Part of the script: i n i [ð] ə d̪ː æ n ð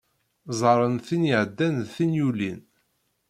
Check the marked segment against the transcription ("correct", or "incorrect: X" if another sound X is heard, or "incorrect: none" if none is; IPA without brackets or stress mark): incorrect: ʕ